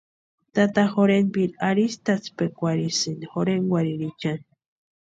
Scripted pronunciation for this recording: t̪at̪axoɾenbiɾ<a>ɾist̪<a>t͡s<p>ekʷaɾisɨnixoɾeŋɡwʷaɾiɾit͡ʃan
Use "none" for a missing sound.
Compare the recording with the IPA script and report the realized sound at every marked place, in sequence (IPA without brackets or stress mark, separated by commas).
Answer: a, a, p